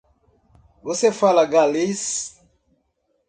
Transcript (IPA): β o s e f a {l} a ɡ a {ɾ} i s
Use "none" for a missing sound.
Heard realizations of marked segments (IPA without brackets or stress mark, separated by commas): l, l